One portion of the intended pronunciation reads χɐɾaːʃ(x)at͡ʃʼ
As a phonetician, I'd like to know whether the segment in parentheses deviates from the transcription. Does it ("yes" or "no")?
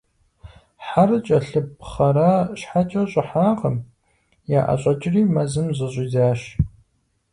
yes